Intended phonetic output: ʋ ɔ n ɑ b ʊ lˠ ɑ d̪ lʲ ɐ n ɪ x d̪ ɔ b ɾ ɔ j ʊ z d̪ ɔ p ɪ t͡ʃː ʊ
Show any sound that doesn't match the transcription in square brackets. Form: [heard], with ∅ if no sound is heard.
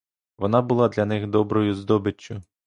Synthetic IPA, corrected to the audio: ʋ ɔ n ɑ b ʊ lˠ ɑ d̪ lʲ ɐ n ɪ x d̪ ɔ b ɾ ɔ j ʊ z d̪ ɔ [b] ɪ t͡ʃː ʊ